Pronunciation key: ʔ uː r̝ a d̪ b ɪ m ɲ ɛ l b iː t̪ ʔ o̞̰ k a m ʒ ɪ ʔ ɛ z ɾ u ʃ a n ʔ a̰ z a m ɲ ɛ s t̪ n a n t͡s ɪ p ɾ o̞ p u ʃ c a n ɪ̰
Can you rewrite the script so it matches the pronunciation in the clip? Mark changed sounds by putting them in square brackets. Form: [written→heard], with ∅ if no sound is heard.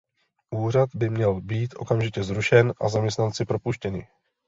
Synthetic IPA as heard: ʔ uː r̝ a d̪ b ɪ m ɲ ɛ l b iː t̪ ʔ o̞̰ k a m ʒ ɪ [ʔ→c] ɛ z ɾ u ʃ [a→ɛ] n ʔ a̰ z a m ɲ ɛ s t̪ n a n t͡s ɪ p ɾ o̞ p u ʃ c [a→ɛ] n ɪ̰